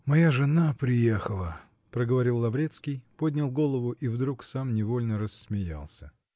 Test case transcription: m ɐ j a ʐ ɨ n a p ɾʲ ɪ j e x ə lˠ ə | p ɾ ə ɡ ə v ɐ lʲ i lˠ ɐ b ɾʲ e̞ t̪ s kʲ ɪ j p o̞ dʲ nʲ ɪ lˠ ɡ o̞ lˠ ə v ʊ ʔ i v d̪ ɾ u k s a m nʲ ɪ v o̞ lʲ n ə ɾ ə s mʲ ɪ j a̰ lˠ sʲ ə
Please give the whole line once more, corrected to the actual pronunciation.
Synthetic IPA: m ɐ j a ʐ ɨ n a p ɾʲ ɪ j e x ə lˠ ə | p ɾ ə ɡ ə v ɐ ɾʲ i lˠː ɐ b ɾʲ e̞ t̪ s kʲ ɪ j p o̞ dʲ nʲ ɪ lˠ ɡ o̞ lˠ ə v ʊ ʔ i v d̪ ɾ u k s a m nʲ ɪ v o̞ lʲ n ə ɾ ə s mʲ ɪ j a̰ lˠ sʲ ə